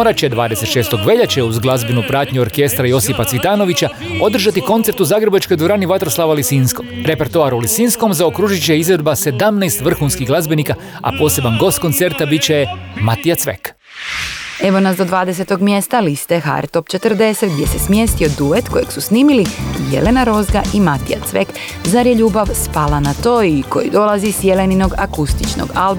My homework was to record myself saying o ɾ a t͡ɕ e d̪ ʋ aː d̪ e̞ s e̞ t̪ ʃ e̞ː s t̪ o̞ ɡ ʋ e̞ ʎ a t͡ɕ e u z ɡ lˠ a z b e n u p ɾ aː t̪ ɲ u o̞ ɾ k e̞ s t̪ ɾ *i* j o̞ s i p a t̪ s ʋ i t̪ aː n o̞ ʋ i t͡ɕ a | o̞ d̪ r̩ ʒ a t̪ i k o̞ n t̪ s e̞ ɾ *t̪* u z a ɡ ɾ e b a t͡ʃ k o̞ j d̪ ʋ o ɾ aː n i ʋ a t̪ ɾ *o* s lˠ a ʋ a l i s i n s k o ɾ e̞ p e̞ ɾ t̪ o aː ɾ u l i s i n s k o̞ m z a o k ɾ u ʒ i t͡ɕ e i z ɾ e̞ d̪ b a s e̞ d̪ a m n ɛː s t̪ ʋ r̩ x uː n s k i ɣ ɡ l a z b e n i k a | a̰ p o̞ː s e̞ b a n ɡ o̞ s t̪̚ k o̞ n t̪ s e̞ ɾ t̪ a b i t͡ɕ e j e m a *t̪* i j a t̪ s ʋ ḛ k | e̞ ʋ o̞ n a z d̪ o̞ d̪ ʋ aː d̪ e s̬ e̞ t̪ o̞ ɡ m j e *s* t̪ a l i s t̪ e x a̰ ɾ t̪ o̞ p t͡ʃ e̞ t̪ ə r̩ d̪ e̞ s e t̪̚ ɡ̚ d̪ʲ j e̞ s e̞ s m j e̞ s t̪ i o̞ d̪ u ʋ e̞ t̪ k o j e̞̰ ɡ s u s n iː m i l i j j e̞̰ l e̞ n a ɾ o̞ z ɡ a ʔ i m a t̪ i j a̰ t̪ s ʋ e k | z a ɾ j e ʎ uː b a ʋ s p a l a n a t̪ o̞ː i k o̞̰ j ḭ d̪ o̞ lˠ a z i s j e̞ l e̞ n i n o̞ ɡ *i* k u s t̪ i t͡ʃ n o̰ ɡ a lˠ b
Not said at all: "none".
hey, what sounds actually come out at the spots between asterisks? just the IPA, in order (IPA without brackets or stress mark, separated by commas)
a, t̪, o, t̪, s, a